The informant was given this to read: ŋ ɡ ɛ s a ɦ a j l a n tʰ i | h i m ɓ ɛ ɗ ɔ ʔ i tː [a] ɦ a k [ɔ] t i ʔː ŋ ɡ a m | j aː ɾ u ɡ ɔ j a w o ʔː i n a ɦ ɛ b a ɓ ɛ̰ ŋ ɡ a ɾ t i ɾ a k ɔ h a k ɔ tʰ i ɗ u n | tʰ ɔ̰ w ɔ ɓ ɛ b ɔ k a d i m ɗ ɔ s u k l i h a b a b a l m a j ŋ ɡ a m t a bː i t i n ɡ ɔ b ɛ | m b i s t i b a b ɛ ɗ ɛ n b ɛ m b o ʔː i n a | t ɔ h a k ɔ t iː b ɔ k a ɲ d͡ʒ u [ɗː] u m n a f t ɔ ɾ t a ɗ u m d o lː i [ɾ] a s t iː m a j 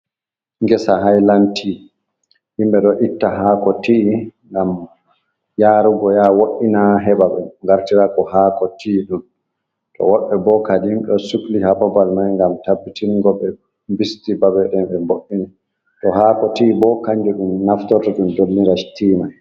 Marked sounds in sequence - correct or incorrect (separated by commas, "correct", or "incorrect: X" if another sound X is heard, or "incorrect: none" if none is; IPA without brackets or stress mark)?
correct, correct, incorrect: ɗ, correct